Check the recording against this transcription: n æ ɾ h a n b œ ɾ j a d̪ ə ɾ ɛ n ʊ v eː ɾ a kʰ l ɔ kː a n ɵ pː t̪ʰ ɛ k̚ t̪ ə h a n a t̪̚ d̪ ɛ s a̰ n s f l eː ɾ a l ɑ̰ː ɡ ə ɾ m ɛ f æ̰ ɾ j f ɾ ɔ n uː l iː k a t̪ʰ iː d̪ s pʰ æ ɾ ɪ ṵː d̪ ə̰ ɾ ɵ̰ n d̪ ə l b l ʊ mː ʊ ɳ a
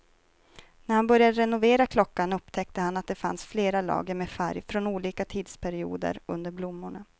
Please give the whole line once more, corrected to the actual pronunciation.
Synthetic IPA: n æ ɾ h a n b œ ɾ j a d̪ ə ɾ ɛ n ʊ v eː ɾ a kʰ l ɔ kː a n ɵ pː t̪ʰ ɛ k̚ t̪ ə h a n a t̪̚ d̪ ɛ f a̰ n s f l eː ɾ a l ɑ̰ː ɡ ə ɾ m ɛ f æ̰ ɾ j f ɾ ɔ n uː l iː k a t̪ʰ iː d̪ s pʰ æ ɾ ɪ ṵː d̪ ə̰ ɾ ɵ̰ n d̪ ə ɾ b l ʊ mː ʊ ɳ a